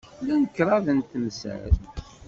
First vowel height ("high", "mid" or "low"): low